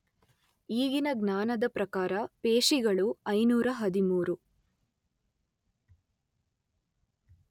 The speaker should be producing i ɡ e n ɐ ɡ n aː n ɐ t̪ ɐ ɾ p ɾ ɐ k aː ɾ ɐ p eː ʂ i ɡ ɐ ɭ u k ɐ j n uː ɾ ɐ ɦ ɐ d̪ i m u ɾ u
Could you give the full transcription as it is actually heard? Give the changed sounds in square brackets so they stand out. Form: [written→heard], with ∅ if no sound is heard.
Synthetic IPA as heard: [i→iː] ɡ [e→i] n ɐ ɡ n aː n ɐ [t̪→d̪] ɐ [ɾ→∅] p ɾ ɐ k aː ɾ ɐ p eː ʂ i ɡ ɐ ɭ u [k→∅] ɐ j n uː ɾ ɐ ɦ ɐ d̪ i m [u→uː] ɾ u